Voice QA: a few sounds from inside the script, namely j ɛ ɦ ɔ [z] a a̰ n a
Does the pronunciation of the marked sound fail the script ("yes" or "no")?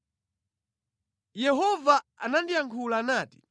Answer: yes